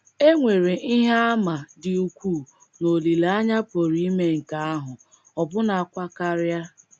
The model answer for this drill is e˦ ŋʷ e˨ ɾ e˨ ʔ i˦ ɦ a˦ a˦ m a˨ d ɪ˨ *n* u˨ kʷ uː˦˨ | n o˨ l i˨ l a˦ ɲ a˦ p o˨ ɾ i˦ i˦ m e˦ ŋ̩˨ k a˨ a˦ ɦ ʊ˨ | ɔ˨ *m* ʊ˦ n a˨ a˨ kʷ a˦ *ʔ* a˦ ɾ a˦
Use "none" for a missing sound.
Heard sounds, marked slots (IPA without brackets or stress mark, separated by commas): none, b, k